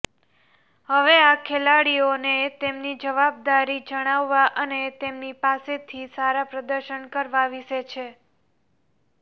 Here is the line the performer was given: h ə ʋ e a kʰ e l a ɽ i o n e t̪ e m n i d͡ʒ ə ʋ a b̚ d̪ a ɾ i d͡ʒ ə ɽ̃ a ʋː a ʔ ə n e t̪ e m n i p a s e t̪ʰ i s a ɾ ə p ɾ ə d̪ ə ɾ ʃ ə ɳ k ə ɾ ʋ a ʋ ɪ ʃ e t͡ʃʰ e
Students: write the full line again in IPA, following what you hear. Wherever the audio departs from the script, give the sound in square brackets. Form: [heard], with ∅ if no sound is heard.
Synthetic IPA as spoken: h ə ʋ e a kʰ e l a ɽ i o n e t̪ e m n i d͡ʒ ə ʋ a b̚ d̪ a ɾ i d͡ʒ ə ɽ̃ a ʋː a ʔ ə n e t̪ e m n i p a s e t̪ʰ i s a ɾ [a] p ɾ ə d̪ ə ɾ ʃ ə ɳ k ə ɾ ʋ a ʋ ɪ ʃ e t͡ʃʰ e